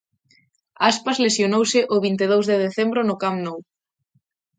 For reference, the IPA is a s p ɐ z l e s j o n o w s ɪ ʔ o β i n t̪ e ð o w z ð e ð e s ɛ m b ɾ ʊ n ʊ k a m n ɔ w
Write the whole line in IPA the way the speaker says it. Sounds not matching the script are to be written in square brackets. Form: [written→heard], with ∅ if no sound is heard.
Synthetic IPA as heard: a s p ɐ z l e s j o n o w s ɪ ʔ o β i n t̪ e ð o w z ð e ð e [s→θ] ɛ m b ɾ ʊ n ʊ k a m n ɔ w